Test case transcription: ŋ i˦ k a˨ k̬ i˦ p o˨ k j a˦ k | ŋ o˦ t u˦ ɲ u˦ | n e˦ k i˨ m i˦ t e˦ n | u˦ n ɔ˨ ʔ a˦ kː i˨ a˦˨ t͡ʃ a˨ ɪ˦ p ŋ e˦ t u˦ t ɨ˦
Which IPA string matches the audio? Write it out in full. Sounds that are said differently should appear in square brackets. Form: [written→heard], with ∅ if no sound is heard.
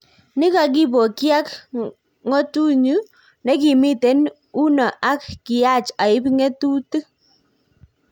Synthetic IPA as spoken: [ŋ→n] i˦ k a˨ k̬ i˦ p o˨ k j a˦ k | ŋ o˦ t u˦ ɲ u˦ | n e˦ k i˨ m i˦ t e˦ n | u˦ n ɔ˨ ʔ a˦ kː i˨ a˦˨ t͡ʃ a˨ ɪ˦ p ŋ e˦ t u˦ t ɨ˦